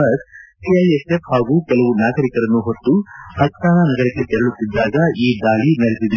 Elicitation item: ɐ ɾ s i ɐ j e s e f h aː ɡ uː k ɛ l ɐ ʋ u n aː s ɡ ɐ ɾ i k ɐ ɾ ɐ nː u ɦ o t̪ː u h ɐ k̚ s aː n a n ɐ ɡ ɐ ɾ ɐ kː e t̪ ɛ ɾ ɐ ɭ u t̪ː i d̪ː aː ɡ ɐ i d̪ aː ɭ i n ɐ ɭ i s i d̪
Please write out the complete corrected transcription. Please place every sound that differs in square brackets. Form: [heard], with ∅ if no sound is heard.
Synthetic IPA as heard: ɐ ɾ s i ɐ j e s e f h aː ɡ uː k ɛ l ɐ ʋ u n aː [∅] ɡ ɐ ɾ i k ɐ ɾ ɐ nː u ɦ o t̪ː u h ɐ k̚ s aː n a n ɐ ɡ ɐ ɾ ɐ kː e t̪ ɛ ɾ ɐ ɭ u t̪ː i d̪ː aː ɡ ɐ [iː] d̪ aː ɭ i n ɐ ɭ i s i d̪